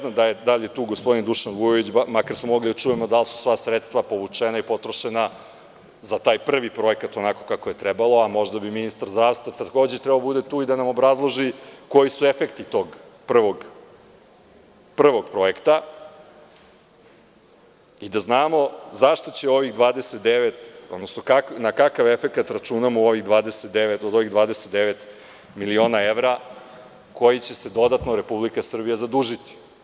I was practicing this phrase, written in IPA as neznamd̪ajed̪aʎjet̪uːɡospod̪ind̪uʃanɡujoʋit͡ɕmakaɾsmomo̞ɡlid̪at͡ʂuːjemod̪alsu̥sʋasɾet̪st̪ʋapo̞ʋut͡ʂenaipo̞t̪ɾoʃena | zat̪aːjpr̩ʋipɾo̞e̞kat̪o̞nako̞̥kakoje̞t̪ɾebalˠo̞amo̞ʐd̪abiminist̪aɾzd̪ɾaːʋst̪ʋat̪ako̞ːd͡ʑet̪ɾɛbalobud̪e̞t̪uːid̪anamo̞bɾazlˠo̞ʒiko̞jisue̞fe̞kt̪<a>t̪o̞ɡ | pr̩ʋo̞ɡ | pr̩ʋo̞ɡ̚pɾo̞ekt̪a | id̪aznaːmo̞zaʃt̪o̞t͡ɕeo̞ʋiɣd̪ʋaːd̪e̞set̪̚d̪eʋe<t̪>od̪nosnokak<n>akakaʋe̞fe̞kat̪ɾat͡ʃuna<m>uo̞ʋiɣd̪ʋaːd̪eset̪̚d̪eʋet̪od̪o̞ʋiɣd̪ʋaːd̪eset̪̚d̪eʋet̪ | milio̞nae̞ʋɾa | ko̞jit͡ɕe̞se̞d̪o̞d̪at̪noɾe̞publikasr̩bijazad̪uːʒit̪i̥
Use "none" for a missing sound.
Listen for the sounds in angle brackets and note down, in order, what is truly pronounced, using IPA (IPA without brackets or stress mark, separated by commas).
i, t̪, n, m